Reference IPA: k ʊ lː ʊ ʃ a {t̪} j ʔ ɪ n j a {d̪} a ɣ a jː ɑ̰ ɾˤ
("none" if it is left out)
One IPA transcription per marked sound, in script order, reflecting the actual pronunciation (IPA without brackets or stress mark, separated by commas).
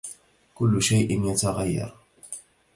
none, t̪